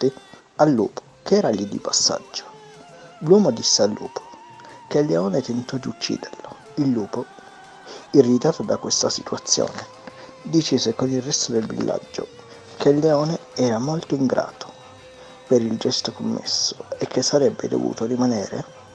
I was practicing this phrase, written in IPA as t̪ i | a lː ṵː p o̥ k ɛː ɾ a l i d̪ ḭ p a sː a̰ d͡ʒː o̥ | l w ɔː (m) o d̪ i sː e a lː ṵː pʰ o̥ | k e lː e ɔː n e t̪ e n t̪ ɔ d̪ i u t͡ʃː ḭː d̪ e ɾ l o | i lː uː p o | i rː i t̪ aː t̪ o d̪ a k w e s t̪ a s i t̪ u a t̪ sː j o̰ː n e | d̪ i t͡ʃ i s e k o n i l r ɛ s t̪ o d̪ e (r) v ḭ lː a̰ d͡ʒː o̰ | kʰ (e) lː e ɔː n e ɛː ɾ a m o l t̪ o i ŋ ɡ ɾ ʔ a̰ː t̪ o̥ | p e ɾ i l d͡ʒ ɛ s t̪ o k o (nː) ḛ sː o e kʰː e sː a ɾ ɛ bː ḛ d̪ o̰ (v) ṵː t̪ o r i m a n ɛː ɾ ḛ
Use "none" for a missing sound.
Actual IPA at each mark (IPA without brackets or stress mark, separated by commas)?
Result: m, l, e, mː, v